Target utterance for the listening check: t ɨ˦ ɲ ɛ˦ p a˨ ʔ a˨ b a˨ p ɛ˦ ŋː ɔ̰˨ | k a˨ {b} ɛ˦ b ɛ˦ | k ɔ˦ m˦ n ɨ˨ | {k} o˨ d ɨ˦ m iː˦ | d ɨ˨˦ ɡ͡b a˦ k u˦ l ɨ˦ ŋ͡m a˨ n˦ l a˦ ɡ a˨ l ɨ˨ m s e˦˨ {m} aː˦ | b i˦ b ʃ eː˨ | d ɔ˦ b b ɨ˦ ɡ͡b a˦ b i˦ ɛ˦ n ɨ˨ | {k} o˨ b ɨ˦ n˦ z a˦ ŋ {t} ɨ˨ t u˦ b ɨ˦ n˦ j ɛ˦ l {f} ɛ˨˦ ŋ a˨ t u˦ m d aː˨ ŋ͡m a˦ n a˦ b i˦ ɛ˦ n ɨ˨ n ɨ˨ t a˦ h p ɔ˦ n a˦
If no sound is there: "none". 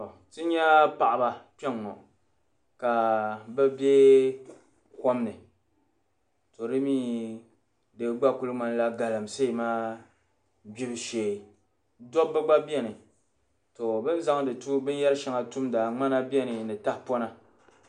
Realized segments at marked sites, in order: b, t, m, t, d, ʃ

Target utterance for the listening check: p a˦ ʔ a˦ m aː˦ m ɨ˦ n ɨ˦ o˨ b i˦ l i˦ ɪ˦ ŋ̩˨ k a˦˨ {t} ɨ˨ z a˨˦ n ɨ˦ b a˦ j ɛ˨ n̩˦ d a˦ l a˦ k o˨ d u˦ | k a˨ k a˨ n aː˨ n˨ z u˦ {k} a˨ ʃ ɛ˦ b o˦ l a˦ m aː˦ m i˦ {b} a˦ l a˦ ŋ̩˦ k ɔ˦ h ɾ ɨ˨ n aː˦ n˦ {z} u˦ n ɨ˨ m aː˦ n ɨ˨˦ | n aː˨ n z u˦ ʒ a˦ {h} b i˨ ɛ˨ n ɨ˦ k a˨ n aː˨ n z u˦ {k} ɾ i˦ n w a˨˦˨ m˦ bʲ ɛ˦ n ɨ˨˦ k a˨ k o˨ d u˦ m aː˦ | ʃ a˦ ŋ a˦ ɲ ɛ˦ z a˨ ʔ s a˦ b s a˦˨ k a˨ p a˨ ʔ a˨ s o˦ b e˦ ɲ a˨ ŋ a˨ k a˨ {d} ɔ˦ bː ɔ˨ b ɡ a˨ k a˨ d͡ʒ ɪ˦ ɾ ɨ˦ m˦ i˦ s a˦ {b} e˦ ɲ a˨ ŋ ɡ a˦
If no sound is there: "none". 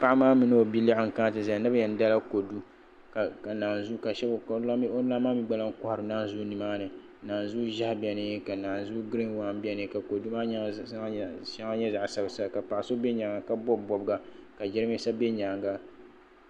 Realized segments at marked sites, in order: t, k, ɡ͡b, z, h, ɡ, b, b

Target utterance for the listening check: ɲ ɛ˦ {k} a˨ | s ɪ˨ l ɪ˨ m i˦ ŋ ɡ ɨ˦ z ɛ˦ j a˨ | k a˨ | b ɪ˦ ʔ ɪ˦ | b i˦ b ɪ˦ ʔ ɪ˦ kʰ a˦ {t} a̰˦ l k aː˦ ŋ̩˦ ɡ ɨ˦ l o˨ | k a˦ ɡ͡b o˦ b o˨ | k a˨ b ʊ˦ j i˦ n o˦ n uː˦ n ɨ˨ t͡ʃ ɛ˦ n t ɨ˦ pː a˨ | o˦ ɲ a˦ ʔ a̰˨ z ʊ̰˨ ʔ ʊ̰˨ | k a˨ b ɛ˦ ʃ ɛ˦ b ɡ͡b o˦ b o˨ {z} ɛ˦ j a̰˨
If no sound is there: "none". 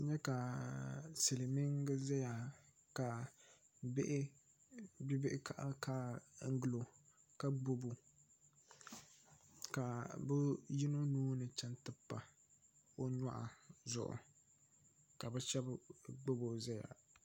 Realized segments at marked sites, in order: k, ʔ, z

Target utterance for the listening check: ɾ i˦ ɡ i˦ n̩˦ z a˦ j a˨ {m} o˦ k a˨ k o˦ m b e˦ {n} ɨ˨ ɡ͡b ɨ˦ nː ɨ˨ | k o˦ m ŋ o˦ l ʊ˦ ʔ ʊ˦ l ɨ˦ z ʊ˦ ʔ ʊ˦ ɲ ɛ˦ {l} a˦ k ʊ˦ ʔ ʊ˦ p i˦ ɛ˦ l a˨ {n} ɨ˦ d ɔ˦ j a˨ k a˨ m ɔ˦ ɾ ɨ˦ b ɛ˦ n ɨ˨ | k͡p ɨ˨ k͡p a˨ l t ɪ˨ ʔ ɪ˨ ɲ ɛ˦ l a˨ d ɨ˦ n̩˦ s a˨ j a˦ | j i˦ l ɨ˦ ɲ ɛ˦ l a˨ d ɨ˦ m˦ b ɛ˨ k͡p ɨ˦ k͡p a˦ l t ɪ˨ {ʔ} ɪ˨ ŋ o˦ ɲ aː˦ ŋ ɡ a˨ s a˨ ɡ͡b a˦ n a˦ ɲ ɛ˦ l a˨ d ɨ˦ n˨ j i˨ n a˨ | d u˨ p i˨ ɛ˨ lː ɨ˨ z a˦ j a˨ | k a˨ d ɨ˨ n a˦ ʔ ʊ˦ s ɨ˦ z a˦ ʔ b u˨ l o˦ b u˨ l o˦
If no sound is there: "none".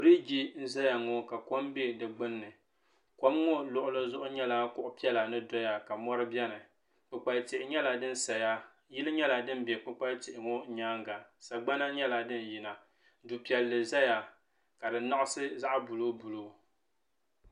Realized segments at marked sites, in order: ŋ, d, l, n, ʔ

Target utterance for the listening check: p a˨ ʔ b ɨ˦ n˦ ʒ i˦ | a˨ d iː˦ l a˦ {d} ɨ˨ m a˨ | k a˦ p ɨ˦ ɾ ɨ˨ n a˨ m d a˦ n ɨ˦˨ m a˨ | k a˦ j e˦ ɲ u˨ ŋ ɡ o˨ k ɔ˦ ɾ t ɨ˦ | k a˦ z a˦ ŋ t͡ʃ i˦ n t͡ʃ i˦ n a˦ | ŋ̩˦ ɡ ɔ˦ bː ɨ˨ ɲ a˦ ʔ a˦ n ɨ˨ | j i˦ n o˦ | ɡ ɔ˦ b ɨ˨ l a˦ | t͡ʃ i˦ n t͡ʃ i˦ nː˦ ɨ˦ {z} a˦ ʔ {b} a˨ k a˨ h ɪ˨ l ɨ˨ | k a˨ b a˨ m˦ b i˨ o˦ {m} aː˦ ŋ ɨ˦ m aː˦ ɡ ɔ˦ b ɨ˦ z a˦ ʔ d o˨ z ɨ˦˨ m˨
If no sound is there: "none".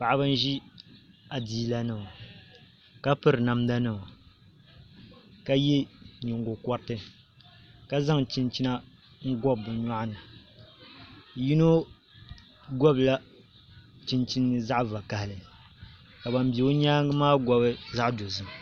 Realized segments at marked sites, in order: n, z, v, ɲ

